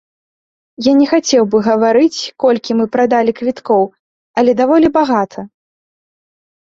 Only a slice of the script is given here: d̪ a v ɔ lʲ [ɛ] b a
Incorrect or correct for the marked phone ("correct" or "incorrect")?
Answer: incorrect